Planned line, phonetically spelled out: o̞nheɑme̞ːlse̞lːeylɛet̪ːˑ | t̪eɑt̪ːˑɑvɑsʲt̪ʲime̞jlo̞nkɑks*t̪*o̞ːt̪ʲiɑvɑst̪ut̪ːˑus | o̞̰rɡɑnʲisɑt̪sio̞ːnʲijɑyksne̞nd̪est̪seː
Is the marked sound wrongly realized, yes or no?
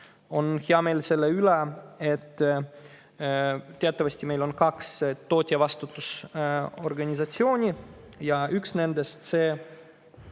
no